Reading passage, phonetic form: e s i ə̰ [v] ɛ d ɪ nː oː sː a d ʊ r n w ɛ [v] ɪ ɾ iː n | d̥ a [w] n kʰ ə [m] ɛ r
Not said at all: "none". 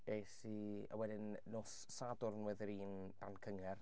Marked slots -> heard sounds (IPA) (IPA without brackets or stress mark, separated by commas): w, ð, none, ŋ